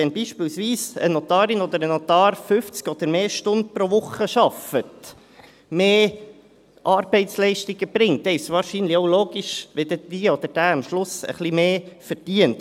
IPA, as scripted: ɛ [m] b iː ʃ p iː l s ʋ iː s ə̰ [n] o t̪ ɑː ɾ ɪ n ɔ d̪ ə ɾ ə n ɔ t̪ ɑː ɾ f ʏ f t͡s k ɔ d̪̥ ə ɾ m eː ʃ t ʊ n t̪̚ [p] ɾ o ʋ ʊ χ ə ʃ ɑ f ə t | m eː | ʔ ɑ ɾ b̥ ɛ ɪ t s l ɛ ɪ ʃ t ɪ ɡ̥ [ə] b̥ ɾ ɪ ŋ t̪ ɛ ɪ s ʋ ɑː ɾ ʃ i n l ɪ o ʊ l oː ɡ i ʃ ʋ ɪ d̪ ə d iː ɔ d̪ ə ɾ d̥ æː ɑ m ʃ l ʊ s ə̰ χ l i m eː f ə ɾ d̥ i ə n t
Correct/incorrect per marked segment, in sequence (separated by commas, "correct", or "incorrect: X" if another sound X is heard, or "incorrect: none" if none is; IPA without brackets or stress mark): incorrect: n, correct, correct, correct